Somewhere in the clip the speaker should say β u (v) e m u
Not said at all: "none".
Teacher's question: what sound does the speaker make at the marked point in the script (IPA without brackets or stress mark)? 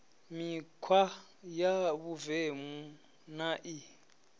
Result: v